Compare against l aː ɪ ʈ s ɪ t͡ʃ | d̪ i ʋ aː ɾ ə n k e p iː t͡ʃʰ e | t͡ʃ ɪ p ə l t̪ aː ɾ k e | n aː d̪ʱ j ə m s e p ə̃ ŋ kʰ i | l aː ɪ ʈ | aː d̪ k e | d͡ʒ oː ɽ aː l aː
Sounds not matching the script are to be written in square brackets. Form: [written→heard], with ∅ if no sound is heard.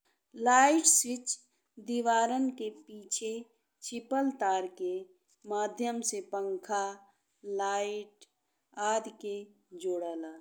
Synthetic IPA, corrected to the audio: l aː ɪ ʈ s ɪ t͡ʃ | d̪ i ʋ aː ɾ ə n k e p iː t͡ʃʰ e | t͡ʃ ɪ p ə l t̪ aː ɾ k e | [n→m] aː d̪ʱ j ə m s e p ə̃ ŋ kʰ [i→a] | l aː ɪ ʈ | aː d̪ k e | d͡ʒ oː ɽ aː l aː